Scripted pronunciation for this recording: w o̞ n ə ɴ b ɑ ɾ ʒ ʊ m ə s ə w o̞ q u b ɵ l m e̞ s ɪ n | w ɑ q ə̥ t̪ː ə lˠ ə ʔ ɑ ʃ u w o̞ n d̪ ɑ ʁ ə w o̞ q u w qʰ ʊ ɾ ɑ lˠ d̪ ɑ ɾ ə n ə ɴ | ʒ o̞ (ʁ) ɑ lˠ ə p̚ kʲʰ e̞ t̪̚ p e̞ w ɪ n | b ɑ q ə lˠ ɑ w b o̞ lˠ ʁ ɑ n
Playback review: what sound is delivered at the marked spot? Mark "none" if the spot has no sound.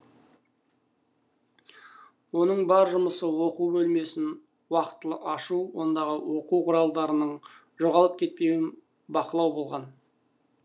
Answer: ʁ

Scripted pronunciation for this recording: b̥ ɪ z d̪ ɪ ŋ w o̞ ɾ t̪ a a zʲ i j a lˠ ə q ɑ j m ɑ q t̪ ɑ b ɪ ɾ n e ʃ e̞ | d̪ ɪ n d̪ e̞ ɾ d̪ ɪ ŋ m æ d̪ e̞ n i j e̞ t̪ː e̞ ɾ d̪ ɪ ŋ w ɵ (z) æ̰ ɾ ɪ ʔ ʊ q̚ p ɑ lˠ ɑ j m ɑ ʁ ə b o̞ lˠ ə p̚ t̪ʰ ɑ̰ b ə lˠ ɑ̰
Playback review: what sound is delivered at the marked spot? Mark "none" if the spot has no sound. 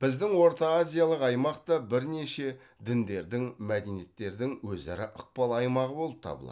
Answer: z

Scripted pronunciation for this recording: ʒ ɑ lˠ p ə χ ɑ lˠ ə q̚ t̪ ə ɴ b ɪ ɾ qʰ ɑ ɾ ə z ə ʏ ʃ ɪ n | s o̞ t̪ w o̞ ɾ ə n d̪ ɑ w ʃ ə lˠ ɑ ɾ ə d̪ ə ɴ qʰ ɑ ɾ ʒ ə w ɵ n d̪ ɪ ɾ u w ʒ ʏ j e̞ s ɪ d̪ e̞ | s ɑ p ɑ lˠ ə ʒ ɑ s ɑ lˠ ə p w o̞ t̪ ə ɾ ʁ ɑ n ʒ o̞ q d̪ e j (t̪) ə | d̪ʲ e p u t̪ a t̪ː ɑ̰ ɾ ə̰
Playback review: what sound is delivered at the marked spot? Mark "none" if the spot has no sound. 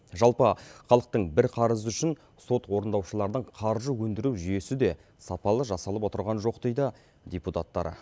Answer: d̪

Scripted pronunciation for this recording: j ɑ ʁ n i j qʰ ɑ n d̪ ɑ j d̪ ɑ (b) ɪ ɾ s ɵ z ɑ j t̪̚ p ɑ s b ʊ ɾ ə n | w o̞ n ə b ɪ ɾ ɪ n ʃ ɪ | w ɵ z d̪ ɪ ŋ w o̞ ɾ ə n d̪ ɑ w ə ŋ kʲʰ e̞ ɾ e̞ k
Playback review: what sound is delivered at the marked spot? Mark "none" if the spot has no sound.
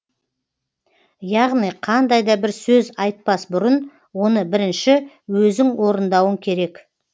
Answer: b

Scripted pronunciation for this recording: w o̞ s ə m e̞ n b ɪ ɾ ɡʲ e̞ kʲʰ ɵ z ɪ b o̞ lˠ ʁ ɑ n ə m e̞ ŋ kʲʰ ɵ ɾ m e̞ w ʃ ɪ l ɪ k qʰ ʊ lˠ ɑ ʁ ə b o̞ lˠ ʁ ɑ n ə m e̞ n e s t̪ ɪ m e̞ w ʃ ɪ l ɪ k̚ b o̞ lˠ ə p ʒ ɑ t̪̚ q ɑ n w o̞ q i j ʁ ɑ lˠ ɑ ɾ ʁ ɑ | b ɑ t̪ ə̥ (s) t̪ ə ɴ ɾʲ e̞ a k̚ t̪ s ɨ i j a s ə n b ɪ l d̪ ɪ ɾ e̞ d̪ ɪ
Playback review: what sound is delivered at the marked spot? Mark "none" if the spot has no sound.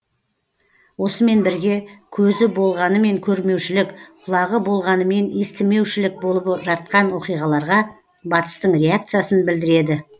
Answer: s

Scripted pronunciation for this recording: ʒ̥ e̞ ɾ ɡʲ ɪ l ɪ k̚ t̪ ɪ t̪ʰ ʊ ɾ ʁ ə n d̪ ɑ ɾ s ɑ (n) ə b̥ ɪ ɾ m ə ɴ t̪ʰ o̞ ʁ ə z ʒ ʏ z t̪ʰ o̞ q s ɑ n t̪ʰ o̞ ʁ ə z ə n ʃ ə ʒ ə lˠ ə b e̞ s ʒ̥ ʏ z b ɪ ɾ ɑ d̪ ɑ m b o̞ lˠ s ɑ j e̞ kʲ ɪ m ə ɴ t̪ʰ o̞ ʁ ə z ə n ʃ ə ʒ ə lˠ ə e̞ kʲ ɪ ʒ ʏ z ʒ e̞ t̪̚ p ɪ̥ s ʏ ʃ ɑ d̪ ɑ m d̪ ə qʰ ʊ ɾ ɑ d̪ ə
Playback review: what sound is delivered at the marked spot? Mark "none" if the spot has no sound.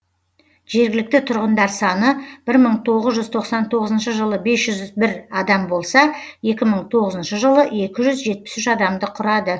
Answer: n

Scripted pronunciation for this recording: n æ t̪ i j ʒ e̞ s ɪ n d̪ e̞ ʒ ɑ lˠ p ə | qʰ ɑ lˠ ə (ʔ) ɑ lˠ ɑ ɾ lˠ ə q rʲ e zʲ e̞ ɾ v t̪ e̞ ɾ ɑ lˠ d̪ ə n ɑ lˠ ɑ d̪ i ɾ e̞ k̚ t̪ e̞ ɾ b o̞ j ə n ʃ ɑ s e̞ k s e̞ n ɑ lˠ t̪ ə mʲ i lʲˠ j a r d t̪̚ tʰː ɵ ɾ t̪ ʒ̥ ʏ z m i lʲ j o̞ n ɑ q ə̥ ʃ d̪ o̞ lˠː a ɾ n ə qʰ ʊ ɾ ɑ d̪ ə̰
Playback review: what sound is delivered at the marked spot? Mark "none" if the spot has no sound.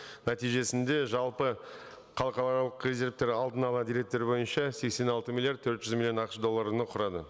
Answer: q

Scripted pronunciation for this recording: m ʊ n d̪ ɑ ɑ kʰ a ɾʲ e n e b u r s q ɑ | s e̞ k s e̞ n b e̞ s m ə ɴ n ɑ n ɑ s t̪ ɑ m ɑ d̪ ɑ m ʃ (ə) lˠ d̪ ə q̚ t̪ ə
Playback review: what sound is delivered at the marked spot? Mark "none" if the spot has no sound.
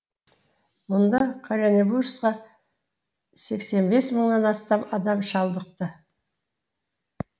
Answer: ɑ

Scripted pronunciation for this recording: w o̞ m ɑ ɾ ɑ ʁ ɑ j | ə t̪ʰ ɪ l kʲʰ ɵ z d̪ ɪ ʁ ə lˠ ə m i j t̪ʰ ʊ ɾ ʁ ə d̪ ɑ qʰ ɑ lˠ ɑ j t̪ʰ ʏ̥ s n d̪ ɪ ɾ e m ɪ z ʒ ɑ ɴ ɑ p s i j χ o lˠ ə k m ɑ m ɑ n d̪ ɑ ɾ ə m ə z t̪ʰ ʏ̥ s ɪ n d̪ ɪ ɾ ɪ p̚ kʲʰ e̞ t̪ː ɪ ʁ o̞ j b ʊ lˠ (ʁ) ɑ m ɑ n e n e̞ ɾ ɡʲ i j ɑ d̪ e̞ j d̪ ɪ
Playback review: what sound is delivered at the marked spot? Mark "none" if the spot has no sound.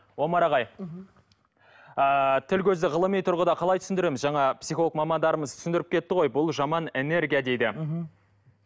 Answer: ʒ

